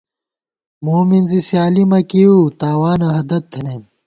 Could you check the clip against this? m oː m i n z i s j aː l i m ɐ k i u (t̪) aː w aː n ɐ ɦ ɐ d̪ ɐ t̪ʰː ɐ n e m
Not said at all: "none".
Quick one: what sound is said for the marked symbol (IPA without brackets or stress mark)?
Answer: t̪